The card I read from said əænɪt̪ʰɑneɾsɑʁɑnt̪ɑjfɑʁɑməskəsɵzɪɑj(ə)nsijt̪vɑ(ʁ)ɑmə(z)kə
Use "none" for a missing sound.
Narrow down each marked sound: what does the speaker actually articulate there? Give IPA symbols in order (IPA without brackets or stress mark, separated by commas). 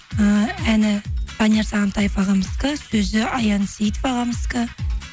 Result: ɑ, ʁ, s